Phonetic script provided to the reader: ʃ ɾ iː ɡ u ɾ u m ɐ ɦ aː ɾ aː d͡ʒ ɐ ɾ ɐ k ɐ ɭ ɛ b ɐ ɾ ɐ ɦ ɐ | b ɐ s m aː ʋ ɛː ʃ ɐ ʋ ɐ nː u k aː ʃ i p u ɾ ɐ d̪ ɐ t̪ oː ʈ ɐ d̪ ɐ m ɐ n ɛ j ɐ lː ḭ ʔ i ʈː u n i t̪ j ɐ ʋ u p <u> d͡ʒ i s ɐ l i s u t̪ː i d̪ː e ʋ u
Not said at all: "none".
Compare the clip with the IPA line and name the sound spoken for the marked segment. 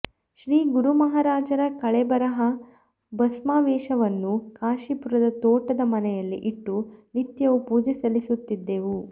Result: uː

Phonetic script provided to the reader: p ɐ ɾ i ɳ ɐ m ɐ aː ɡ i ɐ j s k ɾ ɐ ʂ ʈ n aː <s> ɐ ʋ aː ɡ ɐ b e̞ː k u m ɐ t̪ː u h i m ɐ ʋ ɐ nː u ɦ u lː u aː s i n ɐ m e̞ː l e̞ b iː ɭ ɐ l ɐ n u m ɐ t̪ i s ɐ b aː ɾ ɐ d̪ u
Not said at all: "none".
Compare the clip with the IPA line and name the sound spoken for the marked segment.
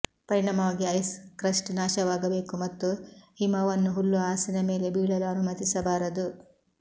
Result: ʃ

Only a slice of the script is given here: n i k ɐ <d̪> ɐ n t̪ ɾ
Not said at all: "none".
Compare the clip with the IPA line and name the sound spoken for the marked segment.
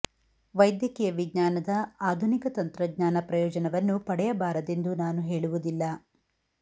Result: t̪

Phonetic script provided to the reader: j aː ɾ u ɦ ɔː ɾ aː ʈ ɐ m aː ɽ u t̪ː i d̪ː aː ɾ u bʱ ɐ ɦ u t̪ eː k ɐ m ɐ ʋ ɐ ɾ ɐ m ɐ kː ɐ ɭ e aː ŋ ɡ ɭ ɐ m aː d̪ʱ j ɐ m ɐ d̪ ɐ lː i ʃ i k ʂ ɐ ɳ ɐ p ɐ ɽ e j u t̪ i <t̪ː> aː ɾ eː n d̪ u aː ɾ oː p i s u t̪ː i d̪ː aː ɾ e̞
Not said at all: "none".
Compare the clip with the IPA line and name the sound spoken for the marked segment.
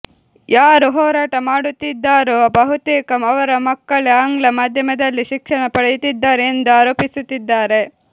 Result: d̪ː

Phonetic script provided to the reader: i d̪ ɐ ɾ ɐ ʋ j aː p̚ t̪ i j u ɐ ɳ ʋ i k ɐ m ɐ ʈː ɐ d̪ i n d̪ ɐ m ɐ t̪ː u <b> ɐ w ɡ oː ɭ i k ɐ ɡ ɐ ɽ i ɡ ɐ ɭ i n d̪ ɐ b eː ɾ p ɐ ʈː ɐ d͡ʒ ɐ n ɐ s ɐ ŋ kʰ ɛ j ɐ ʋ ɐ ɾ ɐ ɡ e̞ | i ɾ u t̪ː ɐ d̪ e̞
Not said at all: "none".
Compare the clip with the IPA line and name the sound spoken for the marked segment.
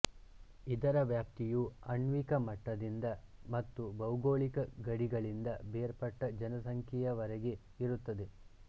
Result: b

